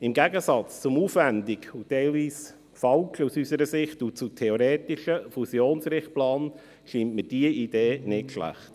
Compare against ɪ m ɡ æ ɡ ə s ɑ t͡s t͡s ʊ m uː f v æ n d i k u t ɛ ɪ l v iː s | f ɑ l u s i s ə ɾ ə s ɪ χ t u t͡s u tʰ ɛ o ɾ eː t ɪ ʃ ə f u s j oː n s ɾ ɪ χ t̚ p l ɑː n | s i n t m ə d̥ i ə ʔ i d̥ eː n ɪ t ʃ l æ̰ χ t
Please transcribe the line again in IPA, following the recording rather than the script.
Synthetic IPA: ɪ m ɡ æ ɡ ə s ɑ t͡s t͡s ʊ m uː f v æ n d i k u t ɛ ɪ l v iː s | f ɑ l u s y s ə ɾ ə s ɪ χ t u t͡s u tʰ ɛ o ɾ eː t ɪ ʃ ə f u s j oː n s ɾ ɪ χ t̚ p l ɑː n | ʃ i n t m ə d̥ i ə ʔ i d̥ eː n ɪ t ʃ l æ̰ χ t